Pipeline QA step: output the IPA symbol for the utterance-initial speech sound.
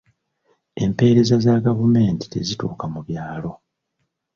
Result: e̞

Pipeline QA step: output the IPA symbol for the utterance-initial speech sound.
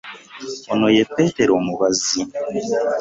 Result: o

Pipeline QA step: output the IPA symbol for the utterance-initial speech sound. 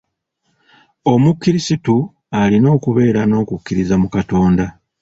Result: o̞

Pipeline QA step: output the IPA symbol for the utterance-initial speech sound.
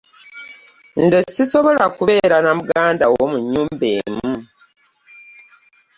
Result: n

